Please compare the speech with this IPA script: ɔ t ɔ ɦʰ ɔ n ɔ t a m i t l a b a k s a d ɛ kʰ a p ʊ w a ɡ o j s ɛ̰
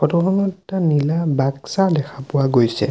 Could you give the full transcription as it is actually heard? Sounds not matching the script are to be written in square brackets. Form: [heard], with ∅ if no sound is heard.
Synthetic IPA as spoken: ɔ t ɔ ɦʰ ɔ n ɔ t a [n] i [∅] l a b a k s a d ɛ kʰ a p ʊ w a ɡ o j s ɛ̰